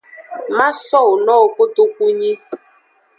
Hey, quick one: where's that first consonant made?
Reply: lips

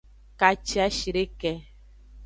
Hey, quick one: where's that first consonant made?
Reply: velum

